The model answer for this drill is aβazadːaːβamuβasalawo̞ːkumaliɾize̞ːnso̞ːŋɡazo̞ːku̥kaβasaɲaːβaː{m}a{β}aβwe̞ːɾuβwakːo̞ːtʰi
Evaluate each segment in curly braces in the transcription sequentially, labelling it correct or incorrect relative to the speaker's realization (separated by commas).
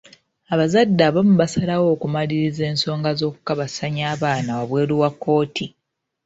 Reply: incorrect, incorrect